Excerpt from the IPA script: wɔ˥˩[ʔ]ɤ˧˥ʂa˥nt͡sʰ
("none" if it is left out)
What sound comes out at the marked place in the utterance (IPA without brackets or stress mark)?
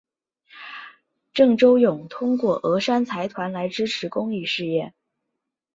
ʔ